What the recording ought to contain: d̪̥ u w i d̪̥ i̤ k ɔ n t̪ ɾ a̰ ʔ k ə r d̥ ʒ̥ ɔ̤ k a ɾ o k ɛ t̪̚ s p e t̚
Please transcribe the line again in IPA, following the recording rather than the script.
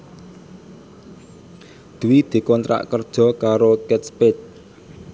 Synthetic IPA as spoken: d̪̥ u w i d̪̥ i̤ k ɔ n t̪ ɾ a̰ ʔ k ə r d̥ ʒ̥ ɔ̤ k a ɾ o k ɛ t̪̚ s p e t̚